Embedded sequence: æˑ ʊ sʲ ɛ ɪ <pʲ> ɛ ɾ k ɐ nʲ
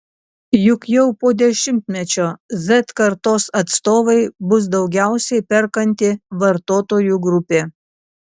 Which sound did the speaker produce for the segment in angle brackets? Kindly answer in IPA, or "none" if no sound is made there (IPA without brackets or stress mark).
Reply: pʲ